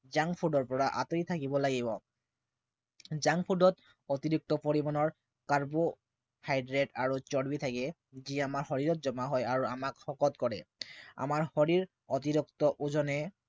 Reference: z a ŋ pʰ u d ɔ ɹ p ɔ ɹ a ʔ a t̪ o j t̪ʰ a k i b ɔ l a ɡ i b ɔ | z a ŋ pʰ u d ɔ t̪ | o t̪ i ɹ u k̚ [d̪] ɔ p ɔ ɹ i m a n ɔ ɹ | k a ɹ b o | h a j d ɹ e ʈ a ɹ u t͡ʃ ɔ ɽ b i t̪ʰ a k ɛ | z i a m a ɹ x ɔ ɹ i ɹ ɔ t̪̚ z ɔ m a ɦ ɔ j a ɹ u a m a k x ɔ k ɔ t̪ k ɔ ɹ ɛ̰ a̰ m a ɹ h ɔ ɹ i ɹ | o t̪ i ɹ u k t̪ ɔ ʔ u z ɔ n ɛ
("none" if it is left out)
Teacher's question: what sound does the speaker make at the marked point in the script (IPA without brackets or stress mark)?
t̪